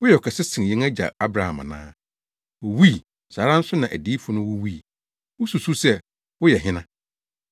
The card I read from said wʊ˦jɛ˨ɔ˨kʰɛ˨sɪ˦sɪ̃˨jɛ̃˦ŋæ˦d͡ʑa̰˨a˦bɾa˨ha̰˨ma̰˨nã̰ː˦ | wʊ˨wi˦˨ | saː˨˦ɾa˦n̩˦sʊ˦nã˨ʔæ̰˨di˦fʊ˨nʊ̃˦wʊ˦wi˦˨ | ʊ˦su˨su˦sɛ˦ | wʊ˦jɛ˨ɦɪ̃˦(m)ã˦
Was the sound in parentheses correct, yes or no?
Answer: no